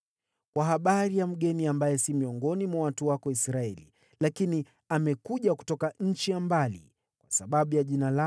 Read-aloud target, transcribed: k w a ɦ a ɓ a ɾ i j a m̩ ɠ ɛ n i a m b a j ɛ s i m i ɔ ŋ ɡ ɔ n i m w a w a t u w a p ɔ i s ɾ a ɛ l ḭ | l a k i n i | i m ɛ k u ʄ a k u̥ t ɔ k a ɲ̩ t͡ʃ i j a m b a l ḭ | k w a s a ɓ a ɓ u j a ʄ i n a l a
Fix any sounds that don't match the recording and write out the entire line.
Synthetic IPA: k w a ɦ a ɓ a ɾ i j a m̩ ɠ ɛ n i a m b a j ɛ s i m i ɔ ŋ ɡ ɔ n i m w a w a t u w a k ɔ i s ɾ a ɛ l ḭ | l a k i n i | a m ɛ k u ʄ a k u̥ t ɔ k a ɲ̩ t͡ʃ i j a m b a l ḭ | k w a s a ɓ a ɓ u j a ʄ i n a l a